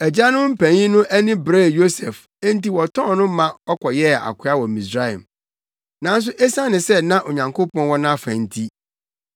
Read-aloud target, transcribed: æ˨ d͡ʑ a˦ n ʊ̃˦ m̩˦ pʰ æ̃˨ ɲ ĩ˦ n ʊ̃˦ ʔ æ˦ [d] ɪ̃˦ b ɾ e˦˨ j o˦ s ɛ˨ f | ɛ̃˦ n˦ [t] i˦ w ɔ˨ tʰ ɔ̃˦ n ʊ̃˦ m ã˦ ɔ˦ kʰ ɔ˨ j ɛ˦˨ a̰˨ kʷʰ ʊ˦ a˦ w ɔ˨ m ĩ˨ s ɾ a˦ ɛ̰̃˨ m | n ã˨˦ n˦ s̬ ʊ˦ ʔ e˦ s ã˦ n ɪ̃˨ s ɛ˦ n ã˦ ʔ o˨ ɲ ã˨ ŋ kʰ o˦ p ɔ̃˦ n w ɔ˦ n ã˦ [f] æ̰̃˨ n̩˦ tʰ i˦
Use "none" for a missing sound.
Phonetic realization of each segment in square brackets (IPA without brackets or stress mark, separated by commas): n, t, f